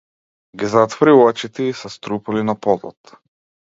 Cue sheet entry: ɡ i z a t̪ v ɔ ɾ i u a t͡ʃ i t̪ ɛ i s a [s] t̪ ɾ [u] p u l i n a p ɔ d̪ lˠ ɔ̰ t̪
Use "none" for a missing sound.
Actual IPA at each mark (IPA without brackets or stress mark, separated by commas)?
s, u